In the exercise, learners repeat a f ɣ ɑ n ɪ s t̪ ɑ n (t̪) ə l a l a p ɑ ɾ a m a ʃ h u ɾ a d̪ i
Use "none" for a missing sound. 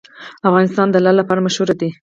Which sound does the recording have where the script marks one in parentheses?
d̪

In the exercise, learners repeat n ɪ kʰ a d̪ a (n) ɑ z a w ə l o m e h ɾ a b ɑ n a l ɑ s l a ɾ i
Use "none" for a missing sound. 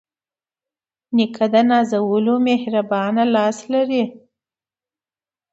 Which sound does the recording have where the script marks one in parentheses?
n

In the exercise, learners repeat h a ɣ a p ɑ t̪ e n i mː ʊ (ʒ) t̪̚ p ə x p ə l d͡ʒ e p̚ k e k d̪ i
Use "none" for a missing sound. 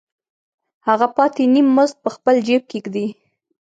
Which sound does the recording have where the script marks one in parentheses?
z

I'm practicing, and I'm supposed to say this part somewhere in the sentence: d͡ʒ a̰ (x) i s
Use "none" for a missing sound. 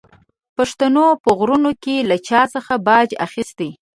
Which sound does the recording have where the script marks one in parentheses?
x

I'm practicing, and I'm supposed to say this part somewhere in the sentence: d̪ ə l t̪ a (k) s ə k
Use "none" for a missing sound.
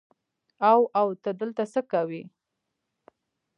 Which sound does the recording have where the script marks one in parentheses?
none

